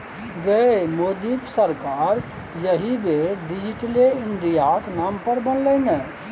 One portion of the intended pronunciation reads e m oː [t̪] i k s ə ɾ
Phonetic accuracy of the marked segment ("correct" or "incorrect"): incorrect